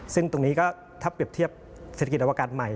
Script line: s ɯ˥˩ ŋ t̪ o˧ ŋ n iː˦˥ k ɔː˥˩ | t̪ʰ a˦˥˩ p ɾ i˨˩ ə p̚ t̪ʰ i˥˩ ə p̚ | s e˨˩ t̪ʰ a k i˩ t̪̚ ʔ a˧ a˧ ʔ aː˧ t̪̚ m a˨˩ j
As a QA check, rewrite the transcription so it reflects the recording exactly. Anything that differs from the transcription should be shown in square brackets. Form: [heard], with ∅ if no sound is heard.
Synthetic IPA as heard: s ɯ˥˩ ŋ t̪ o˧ ŋ n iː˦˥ k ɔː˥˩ | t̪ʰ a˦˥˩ p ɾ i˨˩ ə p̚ t̪ʰ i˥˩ ə p̚ | s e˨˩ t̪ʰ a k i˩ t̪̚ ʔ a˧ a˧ [k] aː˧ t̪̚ m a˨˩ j